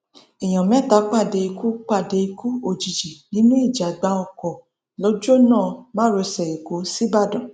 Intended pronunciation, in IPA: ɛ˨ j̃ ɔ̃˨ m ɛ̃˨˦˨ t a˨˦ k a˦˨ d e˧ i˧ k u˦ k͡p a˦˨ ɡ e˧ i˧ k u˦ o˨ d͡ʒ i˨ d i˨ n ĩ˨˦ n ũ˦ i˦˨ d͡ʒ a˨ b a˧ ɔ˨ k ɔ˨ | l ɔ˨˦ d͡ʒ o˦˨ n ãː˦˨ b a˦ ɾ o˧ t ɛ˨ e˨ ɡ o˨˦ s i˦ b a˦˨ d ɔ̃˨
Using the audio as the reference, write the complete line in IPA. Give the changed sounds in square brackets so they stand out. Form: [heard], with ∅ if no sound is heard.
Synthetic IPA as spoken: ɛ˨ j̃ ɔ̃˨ m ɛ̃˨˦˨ t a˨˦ [k͡p] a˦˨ d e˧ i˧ k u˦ k͡p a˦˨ [d] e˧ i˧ k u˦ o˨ d͡ʒ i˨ [d͡ʒ] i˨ n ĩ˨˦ n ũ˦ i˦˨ d͡ʒ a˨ [ɡ͡b] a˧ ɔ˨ k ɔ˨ | l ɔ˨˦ d͡ʒ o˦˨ n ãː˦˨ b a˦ ɾ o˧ [s] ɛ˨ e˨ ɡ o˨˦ s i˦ b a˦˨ d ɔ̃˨